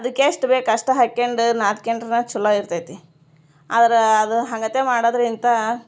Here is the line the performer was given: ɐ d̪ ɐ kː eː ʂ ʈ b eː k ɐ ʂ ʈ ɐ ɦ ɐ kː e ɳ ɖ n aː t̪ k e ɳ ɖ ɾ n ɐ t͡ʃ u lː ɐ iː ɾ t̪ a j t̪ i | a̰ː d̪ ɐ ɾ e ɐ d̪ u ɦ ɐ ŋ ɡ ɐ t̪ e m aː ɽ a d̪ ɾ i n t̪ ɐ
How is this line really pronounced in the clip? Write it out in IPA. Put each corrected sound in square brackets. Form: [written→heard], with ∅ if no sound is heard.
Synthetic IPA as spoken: ɐ d̪ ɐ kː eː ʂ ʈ b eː k ɐ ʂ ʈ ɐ ɦ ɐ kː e ɳ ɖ n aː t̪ k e ɳ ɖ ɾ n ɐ t͡ʃ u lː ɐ [iː→i] ɾ t̪ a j t̪ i | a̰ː d̪ ɐ ɾ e ɐ d̪ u ɦ ɐ ŋ ɡ ɐ t̪ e m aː ɽ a d̪ ɾ i n t̪ ɐ